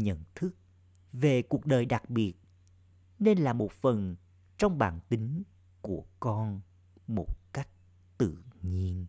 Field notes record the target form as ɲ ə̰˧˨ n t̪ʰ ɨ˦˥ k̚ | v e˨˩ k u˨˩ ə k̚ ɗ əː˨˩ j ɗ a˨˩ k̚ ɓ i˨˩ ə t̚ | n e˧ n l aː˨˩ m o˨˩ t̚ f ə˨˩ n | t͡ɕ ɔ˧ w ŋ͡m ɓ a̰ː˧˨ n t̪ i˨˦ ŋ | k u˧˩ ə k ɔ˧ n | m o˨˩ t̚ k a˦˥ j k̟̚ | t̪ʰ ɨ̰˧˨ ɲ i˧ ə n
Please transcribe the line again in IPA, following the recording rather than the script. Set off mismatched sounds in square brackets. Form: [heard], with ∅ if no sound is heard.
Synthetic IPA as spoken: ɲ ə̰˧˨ n t̪ʰ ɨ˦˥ k̚ | v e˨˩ k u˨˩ ə k̚ ɗ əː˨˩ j ɗ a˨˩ k̚ ɓ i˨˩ ə t̚ | n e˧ n l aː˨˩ m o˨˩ t̚ f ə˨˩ n | t͡ɕ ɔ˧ w ŋ͡m ɓ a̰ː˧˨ n t̪ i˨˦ ŋ | k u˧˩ ə k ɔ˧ n | m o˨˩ t̚ k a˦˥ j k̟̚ | [t̪] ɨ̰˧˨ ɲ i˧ ə n